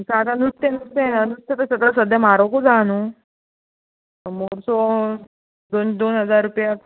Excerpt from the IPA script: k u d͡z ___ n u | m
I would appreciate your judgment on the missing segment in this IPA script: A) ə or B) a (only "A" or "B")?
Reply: B